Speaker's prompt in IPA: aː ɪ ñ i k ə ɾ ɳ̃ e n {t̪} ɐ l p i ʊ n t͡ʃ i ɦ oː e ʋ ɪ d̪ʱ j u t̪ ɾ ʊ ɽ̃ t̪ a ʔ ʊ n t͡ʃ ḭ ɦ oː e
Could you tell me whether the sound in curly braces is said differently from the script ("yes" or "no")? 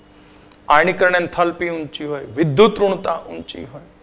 yes